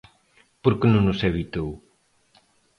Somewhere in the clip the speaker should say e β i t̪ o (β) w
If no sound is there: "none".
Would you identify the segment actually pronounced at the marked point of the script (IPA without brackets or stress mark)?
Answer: none